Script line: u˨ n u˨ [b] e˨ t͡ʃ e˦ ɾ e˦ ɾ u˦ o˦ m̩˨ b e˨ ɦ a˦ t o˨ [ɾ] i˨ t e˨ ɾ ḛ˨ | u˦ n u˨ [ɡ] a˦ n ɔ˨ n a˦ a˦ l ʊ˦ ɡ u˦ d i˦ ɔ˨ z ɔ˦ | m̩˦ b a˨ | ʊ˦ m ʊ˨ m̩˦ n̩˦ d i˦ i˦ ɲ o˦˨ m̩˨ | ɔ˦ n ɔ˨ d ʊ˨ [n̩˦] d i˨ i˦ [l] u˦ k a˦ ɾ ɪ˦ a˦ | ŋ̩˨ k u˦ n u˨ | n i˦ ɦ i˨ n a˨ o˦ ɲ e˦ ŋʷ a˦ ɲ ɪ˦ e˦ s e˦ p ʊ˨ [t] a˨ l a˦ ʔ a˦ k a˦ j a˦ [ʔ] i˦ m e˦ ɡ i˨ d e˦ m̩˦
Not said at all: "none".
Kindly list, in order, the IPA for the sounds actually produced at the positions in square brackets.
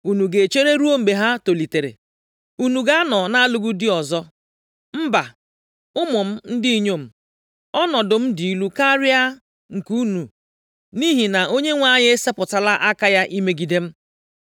ɡ, l, ɡ, m̩˦, l, t, ʔ

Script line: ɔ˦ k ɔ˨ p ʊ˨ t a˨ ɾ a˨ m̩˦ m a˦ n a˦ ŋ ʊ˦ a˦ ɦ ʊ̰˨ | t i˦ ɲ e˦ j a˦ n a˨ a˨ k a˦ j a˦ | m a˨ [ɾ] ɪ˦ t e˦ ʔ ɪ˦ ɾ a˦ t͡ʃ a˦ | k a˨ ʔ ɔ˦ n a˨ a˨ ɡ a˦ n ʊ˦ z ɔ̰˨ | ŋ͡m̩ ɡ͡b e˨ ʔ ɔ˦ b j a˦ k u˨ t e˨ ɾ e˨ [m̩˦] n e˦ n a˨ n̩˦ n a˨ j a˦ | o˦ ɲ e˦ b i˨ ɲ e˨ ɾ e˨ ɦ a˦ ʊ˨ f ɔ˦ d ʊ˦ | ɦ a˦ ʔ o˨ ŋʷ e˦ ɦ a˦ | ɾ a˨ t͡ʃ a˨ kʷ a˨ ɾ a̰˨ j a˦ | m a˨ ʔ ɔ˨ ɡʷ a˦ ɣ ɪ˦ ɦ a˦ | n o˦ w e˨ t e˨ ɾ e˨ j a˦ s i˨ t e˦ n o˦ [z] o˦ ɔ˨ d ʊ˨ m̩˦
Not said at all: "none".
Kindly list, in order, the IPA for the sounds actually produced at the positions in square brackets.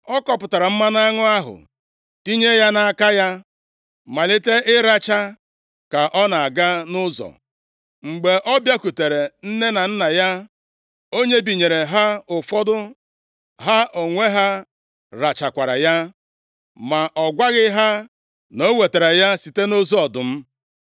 l, n̩˦, z

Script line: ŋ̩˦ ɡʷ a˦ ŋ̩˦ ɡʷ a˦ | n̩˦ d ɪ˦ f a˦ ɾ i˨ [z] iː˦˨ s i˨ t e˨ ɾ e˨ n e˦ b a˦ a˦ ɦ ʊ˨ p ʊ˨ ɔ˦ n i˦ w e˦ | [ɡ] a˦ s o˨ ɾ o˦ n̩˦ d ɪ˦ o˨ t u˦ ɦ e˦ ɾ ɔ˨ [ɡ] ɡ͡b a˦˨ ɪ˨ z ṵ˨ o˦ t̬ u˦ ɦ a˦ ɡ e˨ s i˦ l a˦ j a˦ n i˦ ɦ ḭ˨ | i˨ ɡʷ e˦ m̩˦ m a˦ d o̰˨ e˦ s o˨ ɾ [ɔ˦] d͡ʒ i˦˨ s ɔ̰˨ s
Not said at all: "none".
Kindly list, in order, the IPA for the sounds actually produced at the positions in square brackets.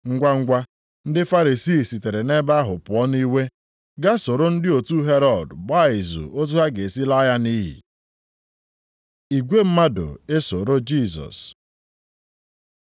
s, ɡ, d, o˦

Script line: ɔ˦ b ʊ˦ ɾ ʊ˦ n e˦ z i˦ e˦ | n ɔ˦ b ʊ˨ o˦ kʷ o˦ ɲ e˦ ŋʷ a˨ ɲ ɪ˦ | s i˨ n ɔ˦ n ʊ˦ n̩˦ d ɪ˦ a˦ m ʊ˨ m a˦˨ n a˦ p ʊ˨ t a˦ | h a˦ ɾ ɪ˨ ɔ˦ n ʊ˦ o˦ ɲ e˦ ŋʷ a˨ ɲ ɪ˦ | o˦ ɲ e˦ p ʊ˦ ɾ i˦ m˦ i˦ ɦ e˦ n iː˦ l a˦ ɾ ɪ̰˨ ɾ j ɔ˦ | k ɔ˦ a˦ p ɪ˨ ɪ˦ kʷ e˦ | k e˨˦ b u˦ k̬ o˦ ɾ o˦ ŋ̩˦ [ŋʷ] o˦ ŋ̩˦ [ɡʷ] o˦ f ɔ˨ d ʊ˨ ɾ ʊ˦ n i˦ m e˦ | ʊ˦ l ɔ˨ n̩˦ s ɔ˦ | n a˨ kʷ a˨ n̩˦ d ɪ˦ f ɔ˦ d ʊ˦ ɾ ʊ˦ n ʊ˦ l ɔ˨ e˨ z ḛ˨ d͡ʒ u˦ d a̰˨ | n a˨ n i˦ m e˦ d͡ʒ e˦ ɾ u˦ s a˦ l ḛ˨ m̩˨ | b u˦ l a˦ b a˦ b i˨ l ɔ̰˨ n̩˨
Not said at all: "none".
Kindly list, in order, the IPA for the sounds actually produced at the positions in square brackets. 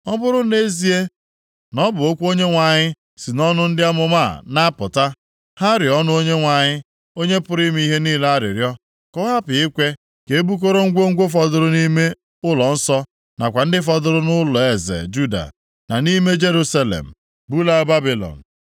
ɡʷ, ɡʷ

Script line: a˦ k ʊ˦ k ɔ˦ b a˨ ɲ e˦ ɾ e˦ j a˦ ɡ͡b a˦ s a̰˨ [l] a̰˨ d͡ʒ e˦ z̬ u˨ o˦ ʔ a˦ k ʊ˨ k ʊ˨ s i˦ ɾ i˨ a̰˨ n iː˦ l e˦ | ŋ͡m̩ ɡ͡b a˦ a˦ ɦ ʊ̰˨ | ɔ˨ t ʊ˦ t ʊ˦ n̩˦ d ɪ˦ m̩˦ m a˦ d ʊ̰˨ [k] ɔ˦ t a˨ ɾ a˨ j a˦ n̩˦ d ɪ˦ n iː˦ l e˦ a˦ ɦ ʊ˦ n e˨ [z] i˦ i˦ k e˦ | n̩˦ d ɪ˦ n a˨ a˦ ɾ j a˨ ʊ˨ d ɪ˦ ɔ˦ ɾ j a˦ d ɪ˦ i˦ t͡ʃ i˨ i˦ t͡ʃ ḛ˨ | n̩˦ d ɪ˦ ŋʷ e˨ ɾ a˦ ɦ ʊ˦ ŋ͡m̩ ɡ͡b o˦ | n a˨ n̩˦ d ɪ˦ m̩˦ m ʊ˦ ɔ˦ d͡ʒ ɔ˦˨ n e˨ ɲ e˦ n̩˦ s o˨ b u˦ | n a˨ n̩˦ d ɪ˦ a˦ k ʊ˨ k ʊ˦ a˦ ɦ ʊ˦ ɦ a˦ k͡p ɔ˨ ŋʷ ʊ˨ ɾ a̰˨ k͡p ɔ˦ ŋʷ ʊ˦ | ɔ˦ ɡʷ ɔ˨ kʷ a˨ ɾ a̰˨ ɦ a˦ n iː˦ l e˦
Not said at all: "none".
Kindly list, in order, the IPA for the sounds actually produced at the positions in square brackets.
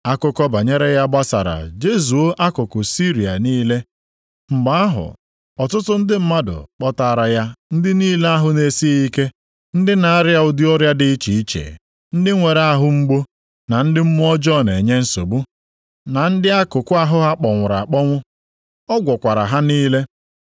ɾ, k͡p, s

